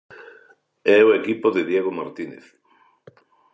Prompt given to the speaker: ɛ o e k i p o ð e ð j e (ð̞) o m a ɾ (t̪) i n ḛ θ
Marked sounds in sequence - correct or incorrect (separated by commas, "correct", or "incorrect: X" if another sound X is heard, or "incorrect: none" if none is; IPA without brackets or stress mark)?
incorrect: ɣ̞, correct